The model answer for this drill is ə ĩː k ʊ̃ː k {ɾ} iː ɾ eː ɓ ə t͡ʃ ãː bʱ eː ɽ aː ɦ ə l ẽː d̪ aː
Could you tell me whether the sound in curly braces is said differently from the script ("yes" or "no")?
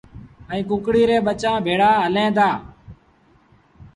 yes